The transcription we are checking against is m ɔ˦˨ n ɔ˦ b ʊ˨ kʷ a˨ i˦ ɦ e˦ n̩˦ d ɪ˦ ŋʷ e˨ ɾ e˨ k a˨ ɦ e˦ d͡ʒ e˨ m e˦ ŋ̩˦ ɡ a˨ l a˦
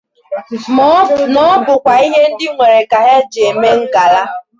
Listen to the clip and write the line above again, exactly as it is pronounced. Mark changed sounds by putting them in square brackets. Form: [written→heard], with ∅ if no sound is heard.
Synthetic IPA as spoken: m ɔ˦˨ n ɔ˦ b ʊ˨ kʷ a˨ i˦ ɦ e˦ n̩˦ d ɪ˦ ŋʷ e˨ ɾ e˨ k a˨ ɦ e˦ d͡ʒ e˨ m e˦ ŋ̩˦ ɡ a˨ l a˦